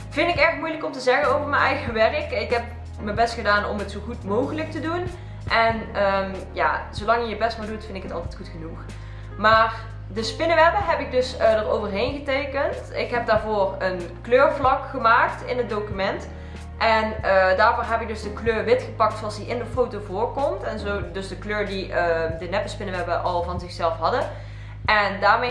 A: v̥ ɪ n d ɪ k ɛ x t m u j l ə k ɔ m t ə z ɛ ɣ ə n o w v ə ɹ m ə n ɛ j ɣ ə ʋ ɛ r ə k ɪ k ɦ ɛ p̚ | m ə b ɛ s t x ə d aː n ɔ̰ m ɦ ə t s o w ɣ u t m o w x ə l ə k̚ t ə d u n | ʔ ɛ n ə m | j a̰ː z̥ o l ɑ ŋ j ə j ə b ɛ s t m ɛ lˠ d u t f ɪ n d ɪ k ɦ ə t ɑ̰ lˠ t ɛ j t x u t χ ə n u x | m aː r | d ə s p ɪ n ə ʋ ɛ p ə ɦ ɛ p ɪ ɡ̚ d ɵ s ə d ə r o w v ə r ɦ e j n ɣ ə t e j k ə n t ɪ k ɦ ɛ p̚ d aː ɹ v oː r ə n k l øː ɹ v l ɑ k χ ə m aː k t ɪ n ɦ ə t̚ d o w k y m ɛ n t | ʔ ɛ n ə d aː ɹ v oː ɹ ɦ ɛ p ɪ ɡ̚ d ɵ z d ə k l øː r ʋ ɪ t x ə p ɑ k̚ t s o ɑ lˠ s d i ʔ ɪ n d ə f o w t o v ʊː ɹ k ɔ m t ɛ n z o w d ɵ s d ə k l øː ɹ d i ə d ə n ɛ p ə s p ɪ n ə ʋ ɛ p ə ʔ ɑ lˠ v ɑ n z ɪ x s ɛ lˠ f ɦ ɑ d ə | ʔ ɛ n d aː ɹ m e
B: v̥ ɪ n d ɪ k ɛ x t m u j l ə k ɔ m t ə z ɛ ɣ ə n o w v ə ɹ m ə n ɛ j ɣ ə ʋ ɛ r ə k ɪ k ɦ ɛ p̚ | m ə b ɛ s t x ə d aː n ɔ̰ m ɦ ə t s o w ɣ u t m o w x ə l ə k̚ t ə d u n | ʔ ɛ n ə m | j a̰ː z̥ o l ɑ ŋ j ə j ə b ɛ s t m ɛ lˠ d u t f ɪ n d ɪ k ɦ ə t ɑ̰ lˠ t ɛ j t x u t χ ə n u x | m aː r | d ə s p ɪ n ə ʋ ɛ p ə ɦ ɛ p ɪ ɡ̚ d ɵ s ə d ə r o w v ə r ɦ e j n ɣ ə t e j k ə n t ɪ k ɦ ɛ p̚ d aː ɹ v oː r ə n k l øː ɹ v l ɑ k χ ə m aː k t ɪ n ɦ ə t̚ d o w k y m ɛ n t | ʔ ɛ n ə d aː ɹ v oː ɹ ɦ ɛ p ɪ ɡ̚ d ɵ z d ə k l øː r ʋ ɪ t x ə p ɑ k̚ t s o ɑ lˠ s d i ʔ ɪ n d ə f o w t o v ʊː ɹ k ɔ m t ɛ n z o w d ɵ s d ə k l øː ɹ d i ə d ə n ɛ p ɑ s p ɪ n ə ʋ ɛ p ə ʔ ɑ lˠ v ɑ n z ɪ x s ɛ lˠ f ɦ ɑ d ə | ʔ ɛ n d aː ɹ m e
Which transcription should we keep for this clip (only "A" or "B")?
A